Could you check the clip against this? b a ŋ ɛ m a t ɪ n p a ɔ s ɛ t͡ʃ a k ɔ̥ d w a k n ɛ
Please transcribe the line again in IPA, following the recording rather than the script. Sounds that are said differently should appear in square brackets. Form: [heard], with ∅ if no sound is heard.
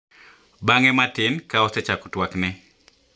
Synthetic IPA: b a ŋ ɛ m a t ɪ n [k] a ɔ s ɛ t͡ʃ a k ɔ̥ [t] w a k n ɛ